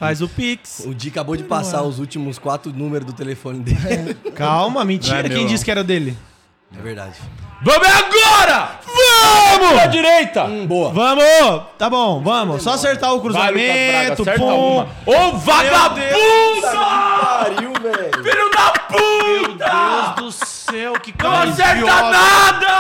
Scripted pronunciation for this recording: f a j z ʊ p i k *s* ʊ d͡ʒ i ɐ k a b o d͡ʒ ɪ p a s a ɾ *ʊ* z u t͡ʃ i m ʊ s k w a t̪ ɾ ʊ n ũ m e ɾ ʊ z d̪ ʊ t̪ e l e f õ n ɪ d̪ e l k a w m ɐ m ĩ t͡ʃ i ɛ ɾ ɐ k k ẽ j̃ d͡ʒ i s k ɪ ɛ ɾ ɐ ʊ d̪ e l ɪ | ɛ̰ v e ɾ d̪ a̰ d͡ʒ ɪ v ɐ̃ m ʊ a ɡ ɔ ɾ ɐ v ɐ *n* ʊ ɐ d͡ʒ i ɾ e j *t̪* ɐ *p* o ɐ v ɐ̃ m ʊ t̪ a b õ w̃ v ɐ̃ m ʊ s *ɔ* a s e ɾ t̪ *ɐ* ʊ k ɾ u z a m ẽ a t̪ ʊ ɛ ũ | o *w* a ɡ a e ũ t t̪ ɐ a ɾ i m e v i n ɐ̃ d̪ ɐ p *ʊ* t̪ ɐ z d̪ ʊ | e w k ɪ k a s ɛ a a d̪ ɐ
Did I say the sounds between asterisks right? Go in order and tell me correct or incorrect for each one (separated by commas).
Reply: correct, correct, incorrect, correct, incorrect, correct, incorrect, incorrect, incorrect